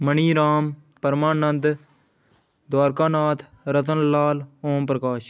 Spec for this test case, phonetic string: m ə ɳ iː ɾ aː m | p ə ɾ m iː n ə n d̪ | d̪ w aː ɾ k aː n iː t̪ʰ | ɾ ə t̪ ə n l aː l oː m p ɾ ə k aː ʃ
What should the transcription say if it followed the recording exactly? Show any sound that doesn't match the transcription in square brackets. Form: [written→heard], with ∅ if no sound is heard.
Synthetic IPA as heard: m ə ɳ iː ɾ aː m | p ə ɾ m [iː→aː] n ə n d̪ | d̪ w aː ɾ k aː n [iː→aː] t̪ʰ | ɾ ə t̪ ə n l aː l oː m p ɾ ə k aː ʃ